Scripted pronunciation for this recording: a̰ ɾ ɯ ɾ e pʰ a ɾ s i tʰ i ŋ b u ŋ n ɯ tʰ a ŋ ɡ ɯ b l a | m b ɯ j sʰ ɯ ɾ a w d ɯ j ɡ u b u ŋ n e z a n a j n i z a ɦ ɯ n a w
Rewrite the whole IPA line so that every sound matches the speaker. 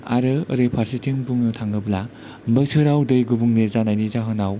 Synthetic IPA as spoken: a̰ ɾ ɯ ɾ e pʰ a ɾ s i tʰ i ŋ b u ŋ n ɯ tʰ a ŋ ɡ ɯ b l a | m b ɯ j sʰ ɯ ɾ a w d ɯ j ɡ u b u ŋ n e z a n a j n i z a ɦ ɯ n a w